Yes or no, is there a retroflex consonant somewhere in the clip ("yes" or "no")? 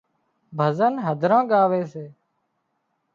no